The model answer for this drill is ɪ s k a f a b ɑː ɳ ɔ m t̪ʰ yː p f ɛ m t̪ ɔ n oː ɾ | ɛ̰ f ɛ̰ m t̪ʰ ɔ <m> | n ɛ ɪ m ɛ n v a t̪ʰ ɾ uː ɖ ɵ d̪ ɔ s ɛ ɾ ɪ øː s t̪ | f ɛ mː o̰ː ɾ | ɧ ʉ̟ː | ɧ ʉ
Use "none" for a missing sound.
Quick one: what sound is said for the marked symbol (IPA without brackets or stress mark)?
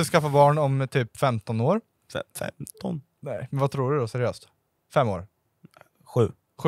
n